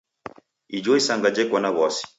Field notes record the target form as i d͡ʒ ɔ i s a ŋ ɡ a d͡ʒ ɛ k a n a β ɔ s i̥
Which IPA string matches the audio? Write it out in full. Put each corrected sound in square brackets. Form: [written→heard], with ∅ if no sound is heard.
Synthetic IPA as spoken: i d͡ʒ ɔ i s a ŋ ɡ a d͡ʒ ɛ k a n a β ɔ s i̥